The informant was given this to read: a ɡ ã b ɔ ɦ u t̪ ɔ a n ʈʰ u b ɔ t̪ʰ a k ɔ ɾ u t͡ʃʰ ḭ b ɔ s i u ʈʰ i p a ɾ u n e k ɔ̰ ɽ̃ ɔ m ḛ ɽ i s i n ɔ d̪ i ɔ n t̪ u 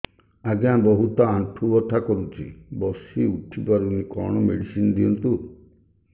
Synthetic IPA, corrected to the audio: a ɡ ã b ɔ ɦ u t̪ ɔ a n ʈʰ u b ɔ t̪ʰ a k ɔ ɾ u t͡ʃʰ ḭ b ɔ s i u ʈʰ i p a ɾ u n i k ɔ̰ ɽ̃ ɔ m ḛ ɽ i s i n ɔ d̪ i ɔ n t̪ u